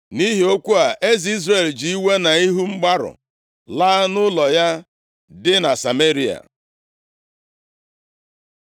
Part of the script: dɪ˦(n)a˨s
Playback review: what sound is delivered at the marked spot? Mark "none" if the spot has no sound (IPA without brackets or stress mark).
n